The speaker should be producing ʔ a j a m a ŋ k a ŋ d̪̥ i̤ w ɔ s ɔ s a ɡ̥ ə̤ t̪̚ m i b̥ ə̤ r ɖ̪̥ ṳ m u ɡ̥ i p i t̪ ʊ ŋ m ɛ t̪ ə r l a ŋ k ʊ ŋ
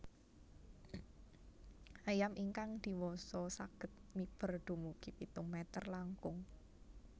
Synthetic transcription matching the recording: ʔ a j a m i ŋ k a ŋ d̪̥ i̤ w ɔ s ɔ s a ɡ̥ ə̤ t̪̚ m i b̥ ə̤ r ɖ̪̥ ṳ m u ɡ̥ i p i t̪ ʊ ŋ m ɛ t̪ ə r l a ŋ k ʊ ŋ